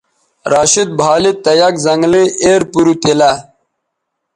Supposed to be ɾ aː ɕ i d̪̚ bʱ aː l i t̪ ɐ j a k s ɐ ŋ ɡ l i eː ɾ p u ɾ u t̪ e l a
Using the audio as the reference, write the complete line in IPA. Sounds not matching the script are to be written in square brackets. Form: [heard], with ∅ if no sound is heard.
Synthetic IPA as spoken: ɾ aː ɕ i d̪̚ bʱ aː l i t̪ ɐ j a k [z] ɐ ŋ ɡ l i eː ɾ p u ɾ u t̪ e l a